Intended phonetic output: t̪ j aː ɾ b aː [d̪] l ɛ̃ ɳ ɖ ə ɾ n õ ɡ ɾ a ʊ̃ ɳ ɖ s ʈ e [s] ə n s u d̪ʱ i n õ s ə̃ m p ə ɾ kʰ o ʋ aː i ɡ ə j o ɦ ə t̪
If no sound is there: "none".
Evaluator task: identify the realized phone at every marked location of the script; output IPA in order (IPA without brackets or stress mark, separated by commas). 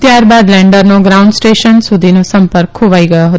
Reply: d̪, ʃ